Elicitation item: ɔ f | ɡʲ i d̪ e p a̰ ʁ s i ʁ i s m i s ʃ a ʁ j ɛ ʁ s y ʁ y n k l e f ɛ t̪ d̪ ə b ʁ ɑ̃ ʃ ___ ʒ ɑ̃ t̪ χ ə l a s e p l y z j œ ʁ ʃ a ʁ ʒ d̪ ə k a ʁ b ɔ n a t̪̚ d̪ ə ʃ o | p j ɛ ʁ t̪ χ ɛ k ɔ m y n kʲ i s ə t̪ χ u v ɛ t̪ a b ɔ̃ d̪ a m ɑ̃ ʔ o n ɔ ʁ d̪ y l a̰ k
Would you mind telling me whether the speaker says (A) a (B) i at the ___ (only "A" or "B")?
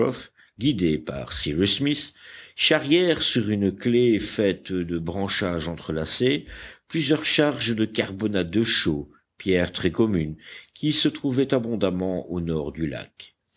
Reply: A